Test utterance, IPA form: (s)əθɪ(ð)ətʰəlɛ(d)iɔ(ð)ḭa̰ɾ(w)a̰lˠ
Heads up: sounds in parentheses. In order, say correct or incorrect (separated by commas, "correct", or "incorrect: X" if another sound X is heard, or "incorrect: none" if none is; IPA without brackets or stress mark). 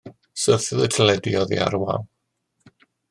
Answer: correct, correct, correct, correct, correct